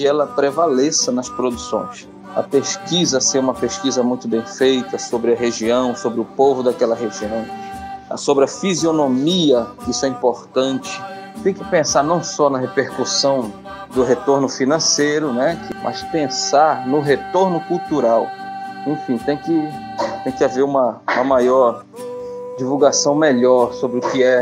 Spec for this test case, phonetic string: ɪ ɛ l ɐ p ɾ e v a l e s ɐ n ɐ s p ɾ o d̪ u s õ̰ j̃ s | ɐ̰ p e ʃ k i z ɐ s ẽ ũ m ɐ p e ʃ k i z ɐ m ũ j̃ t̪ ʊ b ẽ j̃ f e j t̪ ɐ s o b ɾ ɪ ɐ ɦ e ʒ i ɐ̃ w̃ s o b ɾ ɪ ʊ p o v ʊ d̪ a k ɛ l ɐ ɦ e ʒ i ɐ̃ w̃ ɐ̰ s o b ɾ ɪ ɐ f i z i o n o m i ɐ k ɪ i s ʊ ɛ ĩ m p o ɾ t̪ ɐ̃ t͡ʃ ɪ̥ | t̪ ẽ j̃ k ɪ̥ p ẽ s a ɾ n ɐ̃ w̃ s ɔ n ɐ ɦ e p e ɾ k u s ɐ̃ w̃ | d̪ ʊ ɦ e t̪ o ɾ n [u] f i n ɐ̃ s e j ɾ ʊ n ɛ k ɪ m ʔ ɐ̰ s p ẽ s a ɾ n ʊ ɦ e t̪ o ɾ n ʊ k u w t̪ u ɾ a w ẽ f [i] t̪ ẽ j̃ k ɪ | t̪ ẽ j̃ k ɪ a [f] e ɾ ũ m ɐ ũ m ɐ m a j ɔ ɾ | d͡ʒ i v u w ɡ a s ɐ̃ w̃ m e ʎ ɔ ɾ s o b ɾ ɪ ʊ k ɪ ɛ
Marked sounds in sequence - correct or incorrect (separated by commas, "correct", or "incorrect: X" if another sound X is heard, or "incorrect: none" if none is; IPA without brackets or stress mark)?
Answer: incorrect: ʊ, incorrect: ĩ, incorrect: v